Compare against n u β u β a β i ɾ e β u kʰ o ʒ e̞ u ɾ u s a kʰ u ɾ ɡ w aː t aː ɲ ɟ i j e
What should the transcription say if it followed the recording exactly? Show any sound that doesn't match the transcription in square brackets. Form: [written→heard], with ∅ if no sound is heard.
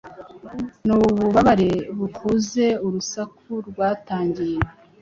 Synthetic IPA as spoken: n u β u β a β [i→a] ɾ e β u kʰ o [ʒ→z] e̞ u ɾ u s a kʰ u ɾ ɡ w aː t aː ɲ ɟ i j e

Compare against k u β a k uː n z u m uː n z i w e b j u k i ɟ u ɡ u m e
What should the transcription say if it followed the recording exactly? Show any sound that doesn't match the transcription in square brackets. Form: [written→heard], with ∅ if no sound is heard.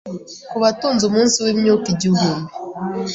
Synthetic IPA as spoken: k u β a [k→t] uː n z u m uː n [z→s] i w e [b→m] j u k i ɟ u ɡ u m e

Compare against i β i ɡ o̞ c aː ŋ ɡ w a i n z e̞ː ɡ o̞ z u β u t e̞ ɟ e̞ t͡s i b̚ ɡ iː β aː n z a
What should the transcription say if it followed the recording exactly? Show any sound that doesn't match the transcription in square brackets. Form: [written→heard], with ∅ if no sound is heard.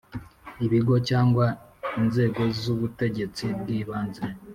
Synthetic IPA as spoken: i β i ɡ o̞ c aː ŋ ɡ w a i n z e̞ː ɡ o̞ z u β u t e̞ ɟ e̞ t͡s i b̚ ɡ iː β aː n z [a→e]

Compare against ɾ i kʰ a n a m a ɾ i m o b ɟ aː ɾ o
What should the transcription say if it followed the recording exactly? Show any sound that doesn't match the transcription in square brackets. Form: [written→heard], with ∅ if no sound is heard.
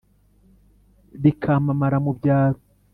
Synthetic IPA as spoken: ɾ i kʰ a [n→m] a m a ɾ [i→a] m [o→u] b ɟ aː ɾ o

